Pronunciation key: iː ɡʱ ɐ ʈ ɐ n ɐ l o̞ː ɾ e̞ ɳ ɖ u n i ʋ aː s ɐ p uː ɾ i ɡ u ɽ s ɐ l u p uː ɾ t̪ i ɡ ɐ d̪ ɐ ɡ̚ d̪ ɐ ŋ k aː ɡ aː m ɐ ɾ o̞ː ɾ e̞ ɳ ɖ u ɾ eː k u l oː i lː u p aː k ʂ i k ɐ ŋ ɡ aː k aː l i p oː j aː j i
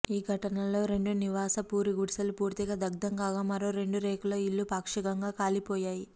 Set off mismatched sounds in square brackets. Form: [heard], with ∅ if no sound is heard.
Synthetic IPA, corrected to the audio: iː ɡʱ ɐ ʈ ɐ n ɐ l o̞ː ɾ e̞ ɳ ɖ u n i ʋ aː s ɐ p uː ɾ i ɡ u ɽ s ɐ l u p uː ɾ t̪ i ɡ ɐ d̪ ɐ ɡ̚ d̪ ɐ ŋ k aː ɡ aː m ɐ ɾ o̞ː ɾ e̞ ɳ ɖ u ɾ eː k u l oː i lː u p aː k ʂ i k ɐ ŋ ɡ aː k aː l i p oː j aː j i